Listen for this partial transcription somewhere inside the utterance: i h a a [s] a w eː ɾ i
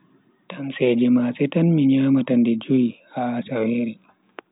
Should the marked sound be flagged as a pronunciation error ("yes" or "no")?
no